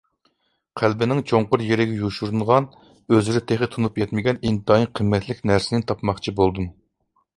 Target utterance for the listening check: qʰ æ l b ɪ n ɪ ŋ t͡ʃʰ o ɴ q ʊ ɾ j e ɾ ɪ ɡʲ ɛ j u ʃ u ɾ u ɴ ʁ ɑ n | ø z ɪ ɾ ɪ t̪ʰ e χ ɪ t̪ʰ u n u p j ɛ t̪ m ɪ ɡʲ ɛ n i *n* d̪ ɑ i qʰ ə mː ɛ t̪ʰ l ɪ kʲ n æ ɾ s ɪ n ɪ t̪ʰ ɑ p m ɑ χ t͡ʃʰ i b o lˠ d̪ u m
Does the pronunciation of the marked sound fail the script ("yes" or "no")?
no